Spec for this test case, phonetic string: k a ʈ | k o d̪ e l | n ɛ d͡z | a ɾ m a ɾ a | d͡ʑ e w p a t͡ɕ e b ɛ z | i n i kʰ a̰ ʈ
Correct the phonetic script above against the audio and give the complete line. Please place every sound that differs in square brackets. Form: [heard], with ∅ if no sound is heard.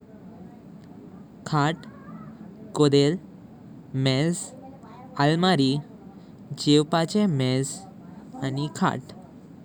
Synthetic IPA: [kʰ] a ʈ | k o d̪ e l | [m] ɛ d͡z | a [l] m a ɾ [i] | d͡ʑ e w p a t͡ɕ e [m] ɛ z | [a] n i kʰ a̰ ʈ